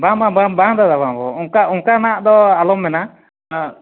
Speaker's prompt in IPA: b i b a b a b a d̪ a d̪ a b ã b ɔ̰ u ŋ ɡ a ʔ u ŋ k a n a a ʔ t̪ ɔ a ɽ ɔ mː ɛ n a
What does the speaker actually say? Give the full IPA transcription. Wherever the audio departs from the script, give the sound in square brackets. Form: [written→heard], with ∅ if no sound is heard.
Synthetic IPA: b [i→a] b a b a b a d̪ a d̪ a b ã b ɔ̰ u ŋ [ɡ→k] a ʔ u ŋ k a n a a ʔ [t̪→d̪] ɔ a [ɽ→l] ɔ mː ɛ n a